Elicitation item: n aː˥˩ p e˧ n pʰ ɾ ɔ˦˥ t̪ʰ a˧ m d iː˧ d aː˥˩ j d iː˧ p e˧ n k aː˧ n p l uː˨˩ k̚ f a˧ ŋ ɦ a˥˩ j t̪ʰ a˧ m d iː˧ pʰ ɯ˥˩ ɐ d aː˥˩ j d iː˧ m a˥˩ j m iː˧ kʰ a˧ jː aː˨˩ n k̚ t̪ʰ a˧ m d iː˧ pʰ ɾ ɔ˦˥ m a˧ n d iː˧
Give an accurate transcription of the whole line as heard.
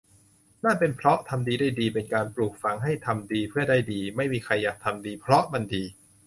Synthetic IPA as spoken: n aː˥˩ p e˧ n pʰ ɾ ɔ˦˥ t̪ʰ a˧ m d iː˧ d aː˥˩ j d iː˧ p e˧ n k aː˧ n p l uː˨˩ k̚ f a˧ ŋ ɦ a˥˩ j t̪ʰ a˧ m d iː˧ pʰ ɯ˥˩ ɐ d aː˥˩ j d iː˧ m a˥˩ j m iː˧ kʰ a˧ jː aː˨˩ k̚ t̪ʰ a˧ m d iː˧ pʰ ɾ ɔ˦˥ m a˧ n d iː˧